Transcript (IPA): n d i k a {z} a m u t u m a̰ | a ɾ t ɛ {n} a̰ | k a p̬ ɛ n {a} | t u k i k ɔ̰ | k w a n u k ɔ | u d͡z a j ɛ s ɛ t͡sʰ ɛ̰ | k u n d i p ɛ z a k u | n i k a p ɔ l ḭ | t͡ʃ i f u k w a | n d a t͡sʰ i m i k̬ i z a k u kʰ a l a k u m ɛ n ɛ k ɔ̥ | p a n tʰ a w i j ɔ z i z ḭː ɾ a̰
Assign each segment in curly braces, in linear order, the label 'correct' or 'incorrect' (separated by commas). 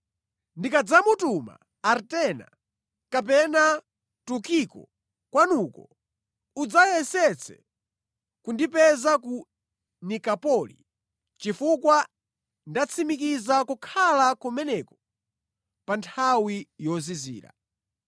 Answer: incorrect, correct, correct